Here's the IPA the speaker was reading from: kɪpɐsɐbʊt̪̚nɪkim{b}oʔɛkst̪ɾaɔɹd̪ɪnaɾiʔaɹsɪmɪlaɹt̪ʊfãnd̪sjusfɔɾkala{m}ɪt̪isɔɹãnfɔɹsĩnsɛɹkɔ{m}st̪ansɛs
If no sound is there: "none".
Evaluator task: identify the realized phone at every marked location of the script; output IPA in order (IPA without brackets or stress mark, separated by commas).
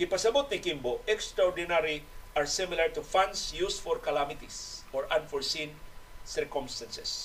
b, m, m